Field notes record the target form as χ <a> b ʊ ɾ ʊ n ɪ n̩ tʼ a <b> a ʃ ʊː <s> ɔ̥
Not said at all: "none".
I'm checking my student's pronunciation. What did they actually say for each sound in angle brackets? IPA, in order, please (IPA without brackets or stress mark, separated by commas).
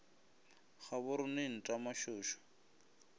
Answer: a, m, ʃ